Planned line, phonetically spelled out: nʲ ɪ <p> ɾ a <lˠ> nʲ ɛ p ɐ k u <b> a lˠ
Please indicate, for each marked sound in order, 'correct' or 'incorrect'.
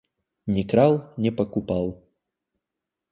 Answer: incorrect: k, correct, incorrect: p

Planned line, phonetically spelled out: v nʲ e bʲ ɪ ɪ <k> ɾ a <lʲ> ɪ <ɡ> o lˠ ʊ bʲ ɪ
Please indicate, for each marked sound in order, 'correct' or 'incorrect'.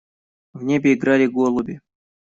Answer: incorrect: ɡ, correct, correct

